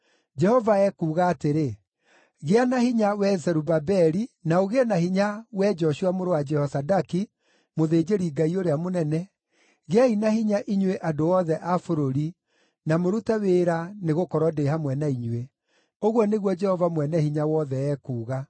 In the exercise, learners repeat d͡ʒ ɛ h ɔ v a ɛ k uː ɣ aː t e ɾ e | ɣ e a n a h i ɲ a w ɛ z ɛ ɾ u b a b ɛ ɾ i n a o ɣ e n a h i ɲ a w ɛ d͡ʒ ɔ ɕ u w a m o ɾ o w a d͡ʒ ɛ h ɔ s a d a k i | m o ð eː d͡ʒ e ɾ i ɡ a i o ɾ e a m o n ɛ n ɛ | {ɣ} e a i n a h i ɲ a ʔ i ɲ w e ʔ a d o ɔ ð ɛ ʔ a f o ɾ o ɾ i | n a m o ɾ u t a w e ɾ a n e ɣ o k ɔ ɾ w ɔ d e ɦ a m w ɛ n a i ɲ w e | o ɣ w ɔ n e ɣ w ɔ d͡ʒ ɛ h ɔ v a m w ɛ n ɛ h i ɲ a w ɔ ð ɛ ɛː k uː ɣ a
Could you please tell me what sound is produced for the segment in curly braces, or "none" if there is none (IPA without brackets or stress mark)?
ɣ